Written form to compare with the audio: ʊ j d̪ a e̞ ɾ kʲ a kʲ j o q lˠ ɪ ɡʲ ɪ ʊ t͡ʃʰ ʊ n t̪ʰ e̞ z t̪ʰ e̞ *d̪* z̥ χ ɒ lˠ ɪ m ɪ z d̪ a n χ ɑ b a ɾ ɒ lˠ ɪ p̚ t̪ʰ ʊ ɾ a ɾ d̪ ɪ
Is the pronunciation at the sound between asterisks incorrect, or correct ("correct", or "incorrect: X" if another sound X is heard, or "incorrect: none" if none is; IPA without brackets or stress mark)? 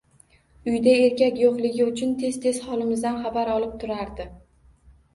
incorrect: none